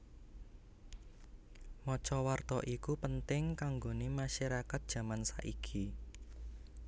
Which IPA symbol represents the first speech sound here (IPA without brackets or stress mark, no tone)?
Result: m